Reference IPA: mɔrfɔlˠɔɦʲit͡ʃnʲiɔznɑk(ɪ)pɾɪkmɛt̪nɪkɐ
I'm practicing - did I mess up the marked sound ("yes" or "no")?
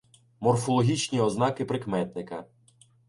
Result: no